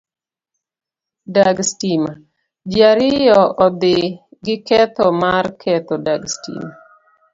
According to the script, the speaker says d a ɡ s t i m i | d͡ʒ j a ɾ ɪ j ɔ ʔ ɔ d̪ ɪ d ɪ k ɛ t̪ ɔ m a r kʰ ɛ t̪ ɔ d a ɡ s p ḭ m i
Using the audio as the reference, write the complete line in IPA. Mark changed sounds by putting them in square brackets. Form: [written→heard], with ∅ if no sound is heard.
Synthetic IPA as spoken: d a ɡ s t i m [i→a] | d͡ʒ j a ɾ ɪ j ɔ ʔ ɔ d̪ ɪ [d→ɡ] ɪ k ɛ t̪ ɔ m a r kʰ ɛ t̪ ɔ d a ɡ s [p→t] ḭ m [i→a]